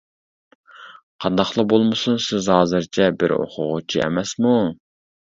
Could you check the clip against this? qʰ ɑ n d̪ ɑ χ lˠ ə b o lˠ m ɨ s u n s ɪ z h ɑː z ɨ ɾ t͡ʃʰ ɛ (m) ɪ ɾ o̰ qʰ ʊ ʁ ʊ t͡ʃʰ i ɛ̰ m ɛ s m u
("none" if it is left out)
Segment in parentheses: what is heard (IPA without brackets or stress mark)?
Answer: b